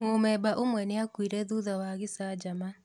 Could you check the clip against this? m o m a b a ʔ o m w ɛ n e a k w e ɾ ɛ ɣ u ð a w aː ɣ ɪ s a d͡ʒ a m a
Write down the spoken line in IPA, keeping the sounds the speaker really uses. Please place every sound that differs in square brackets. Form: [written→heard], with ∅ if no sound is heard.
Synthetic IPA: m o m [a→ɛ] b a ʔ o m w ɛ n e a k w [e→i] ɾ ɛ [ɣ→ð] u ð a w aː ɣ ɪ s a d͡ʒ a m a